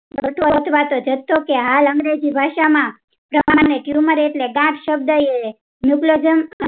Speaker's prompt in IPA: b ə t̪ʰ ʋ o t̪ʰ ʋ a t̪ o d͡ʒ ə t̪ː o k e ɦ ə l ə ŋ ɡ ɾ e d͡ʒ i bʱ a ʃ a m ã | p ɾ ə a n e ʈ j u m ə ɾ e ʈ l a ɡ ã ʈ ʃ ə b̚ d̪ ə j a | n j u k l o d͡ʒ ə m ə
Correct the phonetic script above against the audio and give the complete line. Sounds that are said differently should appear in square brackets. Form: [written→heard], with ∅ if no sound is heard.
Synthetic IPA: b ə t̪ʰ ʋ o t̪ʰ ʋ a t̪ o d͡ʒ ə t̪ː o k e ɦ [ə→a] l ə ŋ ɡ ɾ e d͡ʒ i bʱ a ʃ a m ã | p ɾ ə a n e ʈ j u m ə ɾ e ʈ l [a→e] ɡ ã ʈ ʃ ə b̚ d̪ ə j [a→e] | n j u k l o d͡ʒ ə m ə